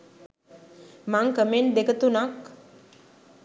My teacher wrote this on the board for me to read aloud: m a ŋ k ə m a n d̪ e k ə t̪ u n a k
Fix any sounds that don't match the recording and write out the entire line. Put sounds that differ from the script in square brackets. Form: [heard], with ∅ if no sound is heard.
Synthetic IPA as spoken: m a ŋ k ə m [e] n d̪ e k ə t̪ u n a k